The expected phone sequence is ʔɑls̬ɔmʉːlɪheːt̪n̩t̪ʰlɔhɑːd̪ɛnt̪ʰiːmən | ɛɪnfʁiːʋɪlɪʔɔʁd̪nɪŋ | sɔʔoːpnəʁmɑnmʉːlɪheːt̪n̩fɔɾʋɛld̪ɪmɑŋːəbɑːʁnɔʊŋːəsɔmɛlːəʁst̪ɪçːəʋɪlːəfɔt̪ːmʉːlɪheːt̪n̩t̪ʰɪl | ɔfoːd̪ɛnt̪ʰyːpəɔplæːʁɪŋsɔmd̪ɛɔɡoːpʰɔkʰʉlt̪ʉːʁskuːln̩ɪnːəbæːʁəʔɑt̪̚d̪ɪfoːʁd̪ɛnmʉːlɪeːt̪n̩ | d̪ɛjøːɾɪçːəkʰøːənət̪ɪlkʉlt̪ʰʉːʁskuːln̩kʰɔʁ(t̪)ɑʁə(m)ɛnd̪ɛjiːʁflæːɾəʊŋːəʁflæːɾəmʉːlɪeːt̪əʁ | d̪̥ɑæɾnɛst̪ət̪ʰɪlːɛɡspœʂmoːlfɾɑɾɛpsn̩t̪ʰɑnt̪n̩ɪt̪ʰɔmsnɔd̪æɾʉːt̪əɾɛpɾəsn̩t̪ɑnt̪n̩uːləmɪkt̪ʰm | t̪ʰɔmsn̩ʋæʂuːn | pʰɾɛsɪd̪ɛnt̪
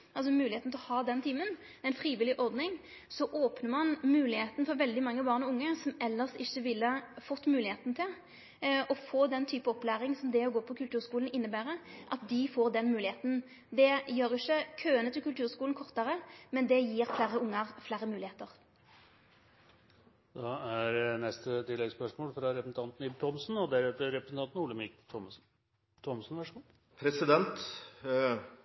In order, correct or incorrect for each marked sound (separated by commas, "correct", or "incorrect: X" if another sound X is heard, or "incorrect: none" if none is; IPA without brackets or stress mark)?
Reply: correct, correct